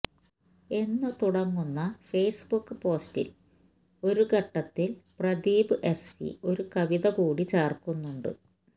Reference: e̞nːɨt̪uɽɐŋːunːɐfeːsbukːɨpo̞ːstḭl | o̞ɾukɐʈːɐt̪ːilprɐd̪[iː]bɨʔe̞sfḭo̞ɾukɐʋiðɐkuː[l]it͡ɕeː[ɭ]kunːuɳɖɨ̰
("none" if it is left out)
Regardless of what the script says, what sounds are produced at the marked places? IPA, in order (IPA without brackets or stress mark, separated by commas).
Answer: iː, ɽ, r